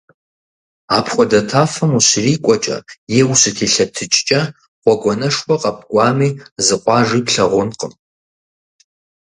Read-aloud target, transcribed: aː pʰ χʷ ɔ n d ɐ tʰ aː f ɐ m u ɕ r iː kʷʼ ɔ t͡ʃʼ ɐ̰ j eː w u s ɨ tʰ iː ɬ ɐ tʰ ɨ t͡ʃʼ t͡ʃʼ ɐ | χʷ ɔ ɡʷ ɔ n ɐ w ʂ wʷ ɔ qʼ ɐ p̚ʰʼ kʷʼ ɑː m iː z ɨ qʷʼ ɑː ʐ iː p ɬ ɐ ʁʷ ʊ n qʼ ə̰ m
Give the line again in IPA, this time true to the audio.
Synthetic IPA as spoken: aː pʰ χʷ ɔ d ɐ tʰ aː f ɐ m u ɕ r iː kʷʼ ɔ t͡ʃʼ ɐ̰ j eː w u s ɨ tʰ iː ɬ ɐ tʰ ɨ t͡ʃʼ t͡ʃʼ ɐ | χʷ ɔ ɡʷ ɔ n ɐ ʂ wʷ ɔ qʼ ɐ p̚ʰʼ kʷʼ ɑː m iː z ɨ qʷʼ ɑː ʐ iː p ɬ ɐ ʁʷ ʊ n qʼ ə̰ m